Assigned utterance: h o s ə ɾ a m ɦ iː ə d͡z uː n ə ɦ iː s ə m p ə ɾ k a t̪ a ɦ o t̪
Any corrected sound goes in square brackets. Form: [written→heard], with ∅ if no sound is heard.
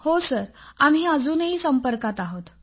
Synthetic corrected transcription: h o s ə ɾ a m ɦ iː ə d͡z uː n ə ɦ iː s ə m p ə ɾ k a t̪ a ɦ o t̪